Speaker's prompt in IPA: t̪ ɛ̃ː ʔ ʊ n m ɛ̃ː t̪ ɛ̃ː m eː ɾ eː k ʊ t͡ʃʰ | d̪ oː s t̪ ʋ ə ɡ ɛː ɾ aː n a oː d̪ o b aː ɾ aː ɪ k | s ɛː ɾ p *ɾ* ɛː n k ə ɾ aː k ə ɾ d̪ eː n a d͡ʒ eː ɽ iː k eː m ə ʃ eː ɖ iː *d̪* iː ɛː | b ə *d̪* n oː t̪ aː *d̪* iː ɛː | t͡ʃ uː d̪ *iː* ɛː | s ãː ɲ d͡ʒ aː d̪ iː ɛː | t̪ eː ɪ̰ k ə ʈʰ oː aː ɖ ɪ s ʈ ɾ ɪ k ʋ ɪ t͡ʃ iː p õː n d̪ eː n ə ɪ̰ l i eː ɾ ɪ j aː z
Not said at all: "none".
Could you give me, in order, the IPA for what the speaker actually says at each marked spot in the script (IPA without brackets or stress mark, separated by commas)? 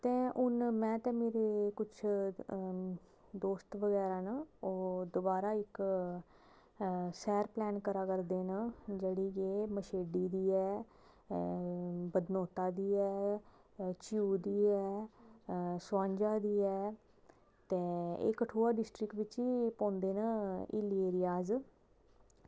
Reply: l, d̪, d̪, d̪, iː